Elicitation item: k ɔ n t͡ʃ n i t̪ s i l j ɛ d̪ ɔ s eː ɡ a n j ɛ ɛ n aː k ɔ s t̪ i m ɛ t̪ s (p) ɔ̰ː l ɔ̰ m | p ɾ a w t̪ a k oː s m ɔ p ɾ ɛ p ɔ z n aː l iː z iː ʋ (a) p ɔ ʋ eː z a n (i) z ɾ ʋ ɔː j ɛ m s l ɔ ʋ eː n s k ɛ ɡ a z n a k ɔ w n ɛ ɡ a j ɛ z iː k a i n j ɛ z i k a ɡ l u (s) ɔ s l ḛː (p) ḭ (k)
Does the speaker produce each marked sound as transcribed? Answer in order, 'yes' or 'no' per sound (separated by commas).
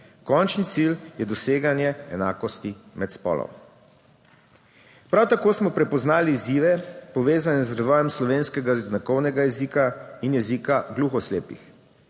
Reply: yes, no, no, no, yes, no